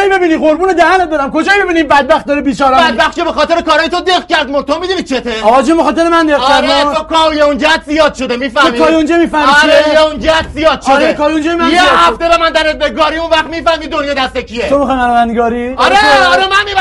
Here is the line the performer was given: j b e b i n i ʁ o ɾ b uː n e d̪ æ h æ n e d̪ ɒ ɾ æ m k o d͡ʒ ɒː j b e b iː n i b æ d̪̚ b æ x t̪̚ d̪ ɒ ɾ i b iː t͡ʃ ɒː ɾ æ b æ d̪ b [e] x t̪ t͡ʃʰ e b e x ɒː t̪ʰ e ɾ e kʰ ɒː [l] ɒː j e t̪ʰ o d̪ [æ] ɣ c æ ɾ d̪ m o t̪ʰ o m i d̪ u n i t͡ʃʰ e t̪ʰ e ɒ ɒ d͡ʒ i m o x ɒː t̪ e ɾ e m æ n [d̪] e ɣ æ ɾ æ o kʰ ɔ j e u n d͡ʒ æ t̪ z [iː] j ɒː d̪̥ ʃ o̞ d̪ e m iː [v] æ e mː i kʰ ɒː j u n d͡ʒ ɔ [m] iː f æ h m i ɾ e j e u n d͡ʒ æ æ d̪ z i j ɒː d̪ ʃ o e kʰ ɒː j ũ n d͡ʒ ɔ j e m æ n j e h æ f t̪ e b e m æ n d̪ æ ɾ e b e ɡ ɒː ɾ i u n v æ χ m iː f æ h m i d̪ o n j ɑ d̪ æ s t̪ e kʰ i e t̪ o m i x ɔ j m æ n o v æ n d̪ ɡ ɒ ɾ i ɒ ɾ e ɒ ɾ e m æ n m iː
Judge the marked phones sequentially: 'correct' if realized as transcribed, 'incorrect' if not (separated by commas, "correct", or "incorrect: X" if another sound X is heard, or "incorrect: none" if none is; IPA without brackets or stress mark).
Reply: incorrect: æ, incorrect: ɾ, incorrect: e, correct, incorrect: i, incorrect: f, correct